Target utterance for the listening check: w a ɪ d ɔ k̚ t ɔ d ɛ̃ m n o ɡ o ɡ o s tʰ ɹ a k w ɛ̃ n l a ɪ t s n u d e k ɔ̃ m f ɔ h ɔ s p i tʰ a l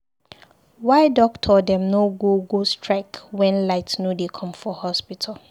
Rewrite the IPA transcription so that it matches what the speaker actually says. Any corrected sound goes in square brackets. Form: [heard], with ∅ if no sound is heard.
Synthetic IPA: w a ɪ d ɔ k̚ [tʰ] ɔ d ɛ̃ m n o ɡ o ɡ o s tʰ ɹ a k w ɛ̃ n l a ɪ t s n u d e [kʰ] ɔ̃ m f ɔ h ɔ s p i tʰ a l